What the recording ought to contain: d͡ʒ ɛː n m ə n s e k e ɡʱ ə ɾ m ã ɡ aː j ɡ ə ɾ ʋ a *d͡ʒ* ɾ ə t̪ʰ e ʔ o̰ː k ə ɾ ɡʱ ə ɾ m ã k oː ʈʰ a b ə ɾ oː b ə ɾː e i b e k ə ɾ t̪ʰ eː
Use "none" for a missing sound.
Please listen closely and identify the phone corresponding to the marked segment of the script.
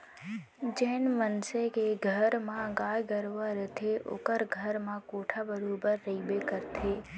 none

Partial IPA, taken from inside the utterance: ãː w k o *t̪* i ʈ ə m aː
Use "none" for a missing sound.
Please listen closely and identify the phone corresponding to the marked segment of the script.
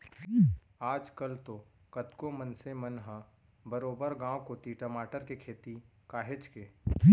t̪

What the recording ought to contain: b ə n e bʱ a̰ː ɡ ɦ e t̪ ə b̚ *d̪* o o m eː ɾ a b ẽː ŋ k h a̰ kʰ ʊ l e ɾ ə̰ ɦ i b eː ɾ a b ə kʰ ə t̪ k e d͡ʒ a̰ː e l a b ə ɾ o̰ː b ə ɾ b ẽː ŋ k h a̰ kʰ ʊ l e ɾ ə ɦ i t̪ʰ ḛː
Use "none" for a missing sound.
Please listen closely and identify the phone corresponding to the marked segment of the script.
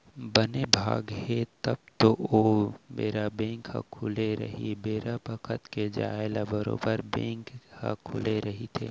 t̪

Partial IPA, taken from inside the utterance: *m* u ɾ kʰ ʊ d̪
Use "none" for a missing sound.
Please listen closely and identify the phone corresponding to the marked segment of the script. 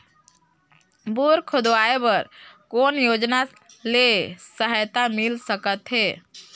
b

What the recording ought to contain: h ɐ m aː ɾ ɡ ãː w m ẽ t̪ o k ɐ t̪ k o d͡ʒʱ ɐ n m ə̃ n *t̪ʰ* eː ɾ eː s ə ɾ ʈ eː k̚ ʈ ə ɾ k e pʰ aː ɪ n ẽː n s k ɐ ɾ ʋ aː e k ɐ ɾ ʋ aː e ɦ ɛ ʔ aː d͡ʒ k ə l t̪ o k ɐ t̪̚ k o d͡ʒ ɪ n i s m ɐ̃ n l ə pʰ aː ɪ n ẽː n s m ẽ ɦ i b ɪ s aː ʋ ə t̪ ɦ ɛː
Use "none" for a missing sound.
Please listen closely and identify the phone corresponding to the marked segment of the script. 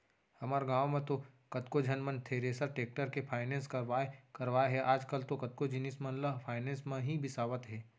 t̪ʰ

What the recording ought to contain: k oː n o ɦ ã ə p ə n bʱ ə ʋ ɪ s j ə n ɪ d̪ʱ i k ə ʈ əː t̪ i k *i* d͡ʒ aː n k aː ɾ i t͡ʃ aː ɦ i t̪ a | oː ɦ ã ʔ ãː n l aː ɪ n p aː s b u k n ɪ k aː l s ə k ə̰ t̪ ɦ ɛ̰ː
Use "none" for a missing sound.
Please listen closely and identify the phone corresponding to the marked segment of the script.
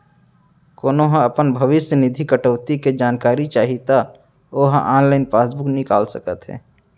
e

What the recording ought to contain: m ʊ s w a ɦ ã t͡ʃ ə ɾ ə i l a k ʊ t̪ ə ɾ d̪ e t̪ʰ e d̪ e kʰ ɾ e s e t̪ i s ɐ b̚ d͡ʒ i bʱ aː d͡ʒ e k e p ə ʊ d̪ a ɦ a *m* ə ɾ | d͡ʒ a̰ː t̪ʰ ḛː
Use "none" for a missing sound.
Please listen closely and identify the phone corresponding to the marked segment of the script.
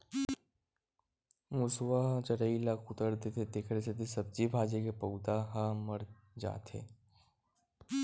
m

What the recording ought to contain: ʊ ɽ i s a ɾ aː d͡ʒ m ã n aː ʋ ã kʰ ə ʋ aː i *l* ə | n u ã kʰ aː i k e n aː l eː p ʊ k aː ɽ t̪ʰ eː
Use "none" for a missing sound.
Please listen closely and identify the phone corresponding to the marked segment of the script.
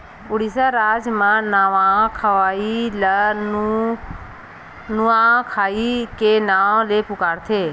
l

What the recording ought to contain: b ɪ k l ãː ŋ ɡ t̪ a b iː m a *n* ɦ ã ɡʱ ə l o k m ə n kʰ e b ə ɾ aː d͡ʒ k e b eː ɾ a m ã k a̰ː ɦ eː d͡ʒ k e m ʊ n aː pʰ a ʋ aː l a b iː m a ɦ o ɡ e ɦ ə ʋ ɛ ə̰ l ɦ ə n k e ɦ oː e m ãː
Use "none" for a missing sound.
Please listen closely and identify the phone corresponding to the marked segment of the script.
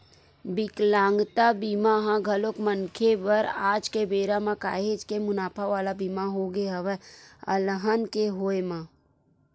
none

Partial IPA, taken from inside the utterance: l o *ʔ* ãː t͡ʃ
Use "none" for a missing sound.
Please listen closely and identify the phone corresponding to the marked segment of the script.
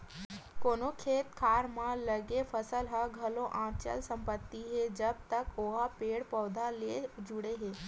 ʔ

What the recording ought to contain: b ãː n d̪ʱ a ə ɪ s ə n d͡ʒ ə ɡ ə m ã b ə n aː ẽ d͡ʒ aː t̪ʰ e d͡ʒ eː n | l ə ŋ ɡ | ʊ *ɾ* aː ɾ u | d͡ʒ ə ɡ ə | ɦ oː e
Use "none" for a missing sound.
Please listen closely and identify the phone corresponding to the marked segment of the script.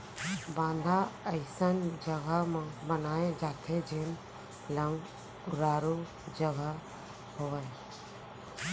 ɾ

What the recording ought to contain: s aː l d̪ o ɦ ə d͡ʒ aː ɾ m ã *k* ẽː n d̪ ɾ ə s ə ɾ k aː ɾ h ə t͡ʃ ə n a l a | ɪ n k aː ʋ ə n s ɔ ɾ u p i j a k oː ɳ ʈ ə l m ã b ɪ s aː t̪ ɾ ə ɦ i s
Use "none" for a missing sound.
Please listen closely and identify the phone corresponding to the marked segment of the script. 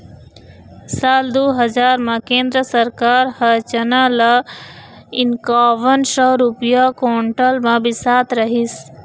k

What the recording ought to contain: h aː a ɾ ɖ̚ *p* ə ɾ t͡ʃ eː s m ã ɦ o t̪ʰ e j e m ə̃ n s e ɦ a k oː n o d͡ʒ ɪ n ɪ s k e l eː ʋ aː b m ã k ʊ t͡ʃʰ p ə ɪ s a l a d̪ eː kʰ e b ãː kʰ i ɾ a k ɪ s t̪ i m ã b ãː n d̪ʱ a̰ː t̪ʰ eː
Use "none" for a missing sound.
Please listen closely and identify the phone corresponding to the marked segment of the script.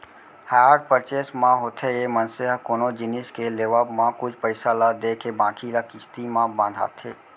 p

